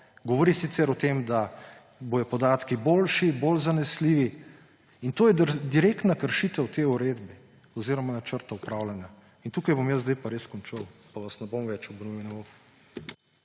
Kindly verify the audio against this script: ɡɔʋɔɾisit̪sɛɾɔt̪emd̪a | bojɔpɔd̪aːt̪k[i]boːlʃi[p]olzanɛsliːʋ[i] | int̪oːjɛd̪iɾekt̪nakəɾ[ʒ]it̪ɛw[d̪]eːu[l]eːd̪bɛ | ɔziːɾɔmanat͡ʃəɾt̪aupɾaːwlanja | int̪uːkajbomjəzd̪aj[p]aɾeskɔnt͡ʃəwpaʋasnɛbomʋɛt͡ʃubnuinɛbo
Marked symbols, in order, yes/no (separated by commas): yes, no, yes, no, no, no, yes